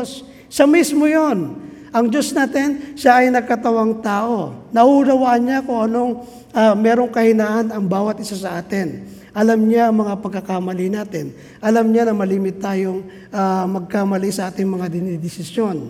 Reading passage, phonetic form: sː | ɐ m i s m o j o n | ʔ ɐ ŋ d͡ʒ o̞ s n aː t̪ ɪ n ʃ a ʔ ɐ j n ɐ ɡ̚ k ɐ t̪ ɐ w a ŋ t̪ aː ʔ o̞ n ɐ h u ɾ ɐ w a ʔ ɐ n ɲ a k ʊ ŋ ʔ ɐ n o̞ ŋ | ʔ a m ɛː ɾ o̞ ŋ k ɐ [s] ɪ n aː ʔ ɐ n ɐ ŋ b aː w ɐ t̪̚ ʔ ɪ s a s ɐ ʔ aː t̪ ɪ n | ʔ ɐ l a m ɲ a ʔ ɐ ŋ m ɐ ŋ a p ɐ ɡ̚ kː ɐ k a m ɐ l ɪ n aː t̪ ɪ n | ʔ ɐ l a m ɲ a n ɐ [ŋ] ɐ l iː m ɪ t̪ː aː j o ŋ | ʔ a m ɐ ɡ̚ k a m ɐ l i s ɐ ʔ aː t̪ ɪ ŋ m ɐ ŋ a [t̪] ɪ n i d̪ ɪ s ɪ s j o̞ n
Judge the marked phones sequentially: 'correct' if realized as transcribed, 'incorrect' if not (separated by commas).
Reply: incorrect, incorrect, incorrect